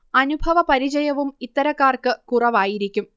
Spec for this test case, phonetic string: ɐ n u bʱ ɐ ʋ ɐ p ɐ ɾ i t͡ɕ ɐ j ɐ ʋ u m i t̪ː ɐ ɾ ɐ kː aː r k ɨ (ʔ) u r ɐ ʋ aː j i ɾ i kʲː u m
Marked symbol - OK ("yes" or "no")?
no